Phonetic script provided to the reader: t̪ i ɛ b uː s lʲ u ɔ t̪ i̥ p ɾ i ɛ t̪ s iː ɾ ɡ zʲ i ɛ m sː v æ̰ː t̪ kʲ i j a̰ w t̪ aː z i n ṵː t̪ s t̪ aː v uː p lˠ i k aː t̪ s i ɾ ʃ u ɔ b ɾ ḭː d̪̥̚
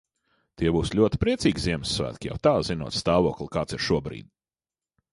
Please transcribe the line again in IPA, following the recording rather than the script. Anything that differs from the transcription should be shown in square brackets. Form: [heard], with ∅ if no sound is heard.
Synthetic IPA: t̪ i ɛ b uː s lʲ u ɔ t̪ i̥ p ɾ i ɛ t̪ s iː [∅] ɡ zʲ i ɛ m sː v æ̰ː t̪ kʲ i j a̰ w t̪ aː z i n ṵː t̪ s t̪ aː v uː [k] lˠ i k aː t̪ s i ɾ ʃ u ɔ b ɾ ḭː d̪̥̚